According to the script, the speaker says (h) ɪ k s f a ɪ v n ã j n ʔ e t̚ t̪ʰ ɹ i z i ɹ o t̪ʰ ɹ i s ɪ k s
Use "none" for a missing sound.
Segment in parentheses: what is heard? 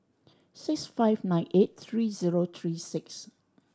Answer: s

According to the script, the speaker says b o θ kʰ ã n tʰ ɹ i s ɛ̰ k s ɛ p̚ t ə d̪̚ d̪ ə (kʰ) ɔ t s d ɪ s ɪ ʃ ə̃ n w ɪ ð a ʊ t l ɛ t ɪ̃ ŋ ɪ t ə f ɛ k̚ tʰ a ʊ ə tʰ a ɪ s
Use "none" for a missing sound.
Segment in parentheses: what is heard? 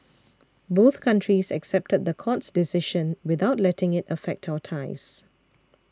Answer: kʰ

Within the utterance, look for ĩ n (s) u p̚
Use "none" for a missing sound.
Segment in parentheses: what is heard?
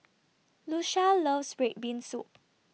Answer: s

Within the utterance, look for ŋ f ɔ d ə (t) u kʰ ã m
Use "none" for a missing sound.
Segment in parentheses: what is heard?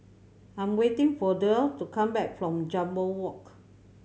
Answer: t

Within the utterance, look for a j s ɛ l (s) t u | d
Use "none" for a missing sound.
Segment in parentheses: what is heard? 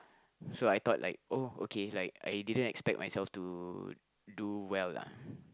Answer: f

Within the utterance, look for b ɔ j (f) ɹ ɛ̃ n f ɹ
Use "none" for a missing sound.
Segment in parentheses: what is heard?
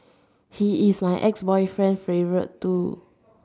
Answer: f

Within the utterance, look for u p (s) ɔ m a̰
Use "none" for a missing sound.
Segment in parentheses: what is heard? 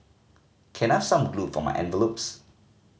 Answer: f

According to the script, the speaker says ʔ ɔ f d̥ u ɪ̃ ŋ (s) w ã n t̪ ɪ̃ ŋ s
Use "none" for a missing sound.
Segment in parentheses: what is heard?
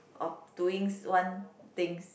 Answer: s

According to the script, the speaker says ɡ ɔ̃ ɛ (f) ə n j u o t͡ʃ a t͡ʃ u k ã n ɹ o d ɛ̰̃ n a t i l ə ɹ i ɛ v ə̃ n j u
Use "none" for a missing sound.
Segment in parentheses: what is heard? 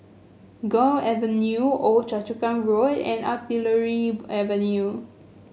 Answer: v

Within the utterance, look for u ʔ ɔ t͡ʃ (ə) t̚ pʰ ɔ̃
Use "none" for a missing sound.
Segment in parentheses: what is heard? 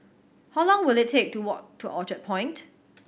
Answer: ə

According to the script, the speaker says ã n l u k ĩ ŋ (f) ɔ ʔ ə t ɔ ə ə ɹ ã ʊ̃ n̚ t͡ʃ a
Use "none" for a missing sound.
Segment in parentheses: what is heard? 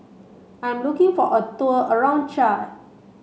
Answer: f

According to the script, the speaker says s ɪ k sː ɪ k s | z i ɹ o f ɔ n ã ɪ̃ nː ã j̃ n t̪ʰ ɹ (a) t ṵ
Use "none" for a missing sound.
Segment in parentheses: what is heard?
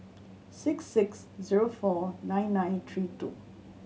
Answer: i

